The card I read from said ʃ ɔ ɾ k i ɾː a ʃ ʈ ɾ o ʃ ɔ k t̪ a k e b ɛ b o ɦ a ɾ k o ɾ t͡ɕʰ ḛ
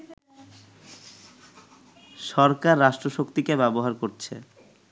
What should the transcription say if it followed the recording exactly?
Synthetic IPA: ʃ ɔ ɾ k a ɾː a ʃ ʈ ɾ o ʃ o k t̪ i k e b ɛ b o ɦ a ɾ k o ɾ t͡ɕʰ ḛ